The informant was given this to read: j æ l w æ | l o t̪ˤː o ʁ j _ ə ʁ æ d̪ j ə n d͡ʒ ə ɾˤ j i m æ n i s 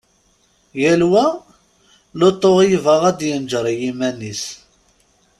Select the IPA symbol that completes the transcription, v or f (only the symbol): v